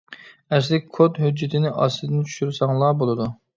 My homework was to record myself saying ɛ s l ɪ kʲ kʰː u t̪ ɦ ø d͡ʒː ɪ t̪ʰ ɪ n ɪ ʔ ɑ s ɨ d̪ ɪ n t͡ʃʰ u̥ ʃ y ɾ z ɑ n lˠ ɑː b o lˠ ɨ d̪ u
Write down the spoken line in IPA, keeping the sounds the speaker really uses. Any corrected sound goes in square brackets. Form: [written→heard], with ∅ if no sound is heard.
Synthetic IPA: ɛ s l ɪ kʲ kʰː [u→o] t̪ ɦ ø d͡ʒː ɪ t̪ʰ ɪ n ɪ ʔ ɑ s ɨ d̪ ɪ n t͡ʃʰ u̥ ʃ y ɾ [z→s] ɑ [n→ŋ] lˠ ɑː b o lˠ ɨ d̪ u